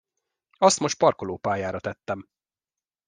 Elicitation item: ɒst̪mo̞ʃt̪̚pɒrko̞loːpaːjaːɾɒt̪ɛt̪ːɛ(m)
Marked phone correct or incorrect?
correct